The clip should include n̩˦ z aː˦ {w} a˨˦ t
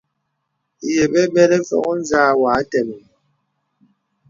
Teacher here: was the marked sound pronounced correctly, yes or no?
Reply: yes